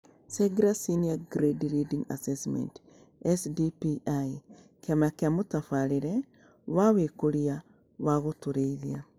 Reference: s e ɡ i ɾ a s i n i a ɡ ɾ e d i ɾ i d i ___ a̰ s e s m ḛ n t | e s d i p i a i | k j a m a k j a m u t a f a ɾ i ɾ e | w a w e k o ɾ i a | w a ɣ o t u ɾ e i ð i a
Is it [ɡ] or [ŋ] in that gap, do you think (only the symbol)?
ŋ